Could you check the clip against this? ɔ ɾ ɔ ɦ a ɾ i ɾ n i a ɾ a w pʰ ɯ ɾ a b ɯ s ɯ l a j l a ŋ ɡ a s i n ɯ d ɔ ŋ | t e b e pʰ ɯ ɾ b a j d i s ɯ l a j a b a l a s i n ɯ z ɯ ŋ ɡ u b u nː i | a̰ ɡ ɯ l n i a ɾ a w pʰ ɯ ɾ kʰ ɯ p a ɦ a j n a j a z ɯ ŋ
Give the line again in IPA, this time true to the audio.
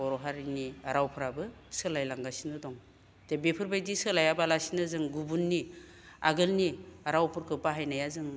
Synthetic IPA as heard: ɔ ɾ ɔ ɦ a ɾ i n i a ɾ a w pʰ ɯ ɾ a b ɯ s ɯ l a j l a ŋ ɡ a s i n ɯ d ɔ ŋ | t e b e pʰ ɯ ɾ b a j d i s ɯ l a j a b a l a s i n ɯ z ɯ ŋ ɡ u b u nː i | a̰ ɡ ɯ l n i a ɾ a w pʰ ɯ ɾ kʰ ɯ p a ɦ a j n a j a z ɯ ŋ

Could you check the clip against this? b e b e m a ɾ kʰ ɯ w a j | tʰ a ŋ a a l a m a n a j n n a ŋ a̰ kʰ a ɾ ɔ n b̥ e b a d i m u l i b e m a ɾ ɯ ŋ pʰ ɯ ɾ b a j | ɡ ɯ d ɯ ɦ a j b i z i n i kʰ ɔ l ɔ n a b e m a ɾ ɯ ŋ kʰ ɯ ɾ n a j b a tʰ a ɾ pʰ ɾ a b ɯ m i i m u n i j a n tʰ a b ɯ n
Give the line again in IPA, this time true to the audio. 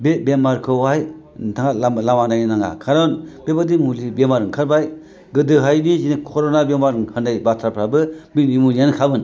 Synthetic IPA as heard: b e b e m a ɾ kʰ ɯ w a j | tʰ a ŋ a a l a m a n a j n n a ŋ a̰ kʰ a ɾ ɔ n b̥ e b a d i m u l i b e m a ɾ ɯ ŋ kʰ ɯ ɾ b a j | ɡ ɯ d ɯ ɦ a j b i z i n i kʰ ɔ ɾ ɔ n a b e m a ɾ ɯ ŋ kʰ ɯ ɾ n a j b a tʰ a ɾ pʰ ɾ a b ɯ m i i m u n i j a n kʰ a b ɯ n

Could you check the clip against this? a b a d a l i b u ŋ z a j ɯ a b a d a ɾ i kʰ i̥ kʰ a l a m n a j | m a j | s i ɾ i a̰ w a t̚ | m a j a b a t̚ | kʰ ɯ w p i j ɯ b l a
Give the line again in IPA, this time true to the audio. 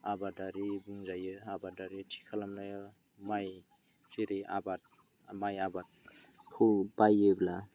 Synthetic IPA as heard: a b a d a ɾ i b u ŋ z a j ɯ a b a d a ɾ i tʰ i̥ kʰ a l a m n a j | m a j | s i ɾ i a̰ b a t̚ | m a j a b a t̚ | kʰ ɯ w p a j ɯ b l a

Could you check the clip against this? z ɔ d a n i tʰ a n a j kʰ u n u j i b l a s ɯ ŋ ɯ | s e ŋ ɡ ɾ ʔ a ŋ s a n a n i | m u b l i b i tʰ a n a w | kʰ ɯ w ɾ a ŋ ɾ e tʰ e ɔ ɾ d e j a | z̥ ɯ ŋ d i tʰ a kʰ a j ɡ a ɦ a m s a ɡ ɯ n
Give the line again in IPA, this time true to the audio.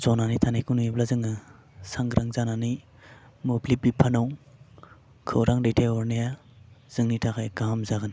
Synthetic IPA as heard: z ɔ n a n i tʰ a n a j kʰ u n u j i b l a z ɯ ŋ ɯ | s a ŋ ɡ ɾ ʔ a ŋ z a n a n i | m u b l i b i pʰ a n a w | kʰ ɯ w ɾ a ŋ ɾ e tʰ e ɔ ɾ n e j a | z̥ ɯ ŋ n i tʰ a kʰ a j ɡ a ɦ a m z a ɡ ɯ n

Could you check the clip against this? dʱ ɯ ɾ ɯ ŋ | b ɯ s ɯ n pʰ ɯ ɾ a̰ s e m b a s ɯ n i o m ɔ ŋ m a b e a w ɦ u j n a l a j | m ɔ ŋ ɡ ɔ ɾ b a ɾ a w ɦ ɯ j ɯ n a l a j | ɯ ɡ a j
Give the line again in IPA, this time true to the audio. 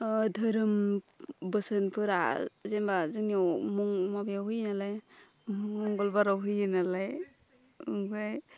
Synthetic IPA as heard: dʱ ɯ ɾ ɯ m | b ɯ s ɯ n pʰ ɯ ɾ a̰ z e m b a z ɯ n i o m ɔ ŋ m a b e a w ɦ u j n a l a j | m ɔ ŋ ɡ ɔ l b a ɾ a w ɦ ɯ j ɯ n a l a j | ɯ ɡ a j

